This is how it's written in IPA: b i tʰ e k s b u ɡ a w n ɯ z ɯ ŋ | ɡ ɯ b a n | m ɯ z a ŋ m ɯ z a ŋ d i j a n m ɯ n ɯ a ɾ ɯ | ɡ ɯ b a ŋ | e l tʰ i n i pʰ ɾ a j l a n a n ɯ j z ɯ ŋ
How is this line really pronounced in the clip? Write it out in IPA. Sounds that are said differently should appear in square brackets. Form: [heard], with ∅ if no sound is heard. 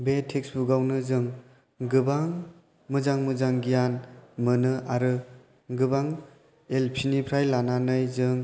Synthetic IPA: b [e] tʰ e k s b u ɡ a w n ɯ z ɯ ŋ | ɡ ɯ b a [ŋ] | m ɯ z a ŋ m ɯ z a ŋ [ɡ] i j a n m ɯ n ɯ a ɾ ɯ | ɡ ɯ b a ŋ | e l [pʰ] i n i pʰ ɾ a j l a n a n ɯ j z ɯ ŋ